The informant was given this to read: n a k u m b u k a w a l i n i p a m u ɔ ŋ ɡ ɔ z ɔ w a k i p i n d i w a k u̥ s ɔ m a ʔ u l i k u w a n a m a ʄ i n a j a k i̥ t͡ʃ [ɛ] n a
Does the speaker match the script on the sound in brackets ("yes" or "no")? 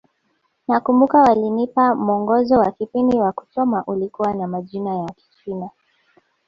no